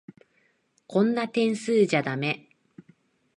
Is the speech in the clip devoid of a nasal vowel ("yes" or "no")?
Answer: no